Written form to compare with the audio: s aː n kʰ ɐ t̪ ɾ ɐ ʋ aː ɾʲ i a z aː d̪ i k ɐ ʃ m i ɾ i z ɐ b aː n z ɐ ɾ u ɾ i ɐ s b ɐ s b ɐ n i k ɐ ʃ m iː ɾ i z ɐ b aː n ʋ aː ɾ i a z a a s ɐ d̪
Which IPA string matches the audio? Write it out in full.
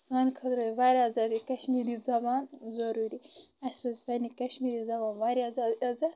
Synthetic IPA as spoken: s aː n kʰ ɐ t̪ ɾ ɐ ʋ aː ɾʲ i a z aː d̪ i k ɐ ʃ m i ɾ i z ɐ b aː n z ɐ ɾ u ɾ i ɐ s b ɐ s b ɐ n i k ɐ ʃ m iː ɾ i z ɐ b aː n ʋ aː ɾ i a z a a z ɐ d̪